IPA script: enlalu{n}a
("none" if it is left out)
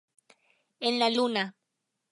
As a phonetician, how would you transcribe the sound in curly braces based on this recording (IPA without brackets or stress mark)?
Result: n